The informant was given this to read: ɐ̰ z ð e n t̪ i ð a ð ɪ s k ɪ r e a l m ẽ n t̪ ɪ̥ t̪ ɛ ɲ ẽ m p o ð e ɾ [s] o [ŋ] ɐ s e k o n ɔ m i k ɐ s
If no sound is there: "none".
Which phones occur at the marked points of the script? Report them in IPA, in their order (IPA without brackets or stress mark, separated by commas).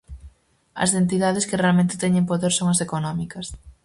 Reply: s, ŋ